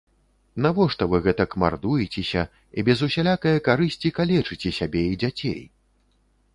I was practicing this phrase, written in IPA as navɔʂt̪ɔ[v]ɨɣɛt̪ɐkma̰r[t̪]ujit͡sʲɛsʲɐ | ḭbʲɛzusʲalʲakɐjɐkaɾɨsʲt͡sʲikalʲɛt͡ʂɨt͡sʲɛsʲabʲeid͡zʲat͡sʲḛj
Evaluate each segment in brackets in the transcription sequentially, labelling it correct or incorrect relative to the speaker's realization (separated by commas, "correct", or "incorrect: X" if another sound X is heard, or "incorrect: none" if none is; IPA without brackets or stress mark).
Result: correct, incorrect: d̪